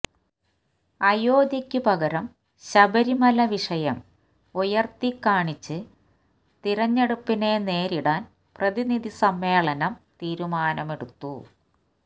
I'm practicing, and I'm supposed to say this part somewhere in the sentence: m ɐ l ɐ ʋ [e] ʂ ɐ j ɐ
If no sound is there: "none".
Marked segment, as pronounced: i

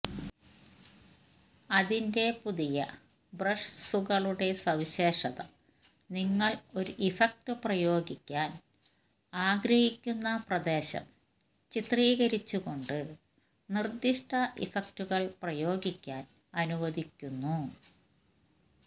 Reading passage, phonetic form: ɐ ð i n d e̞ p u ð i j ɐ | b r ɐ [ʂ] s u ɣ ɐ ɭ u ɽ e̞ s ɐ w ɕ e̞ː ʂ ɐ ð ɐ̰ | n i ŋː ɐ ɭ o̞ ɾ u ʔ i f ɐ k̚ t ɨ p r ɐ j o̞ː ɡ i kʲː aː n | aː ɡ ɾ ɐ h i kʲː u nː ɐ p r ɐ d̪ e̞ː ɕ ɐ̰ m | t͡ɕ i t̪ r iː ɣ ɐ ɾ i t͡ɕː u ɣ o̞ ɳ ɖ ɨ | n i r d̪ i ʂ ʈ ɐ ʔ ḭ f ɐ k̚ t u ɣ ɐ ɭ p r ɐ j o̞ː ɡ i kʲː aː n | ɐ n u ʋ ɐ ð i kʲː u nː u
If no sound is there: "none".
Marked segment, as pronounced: ʂ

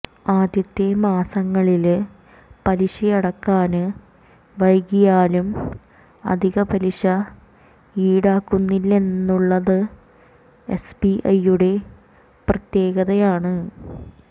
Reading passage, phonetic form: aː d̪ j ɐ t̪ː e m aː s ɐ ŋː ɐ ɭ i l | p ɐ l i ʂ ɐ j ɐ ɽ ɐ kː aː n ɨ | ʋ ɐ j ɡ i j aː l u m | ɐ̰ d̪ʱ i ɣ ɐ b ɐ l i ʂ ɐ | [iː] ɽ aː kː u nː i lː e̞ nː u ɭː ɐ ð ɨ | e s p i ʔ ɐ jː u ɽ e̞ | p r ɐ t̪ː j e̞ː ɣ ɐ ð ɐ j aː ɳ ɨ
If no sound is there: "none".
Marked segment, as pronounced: iː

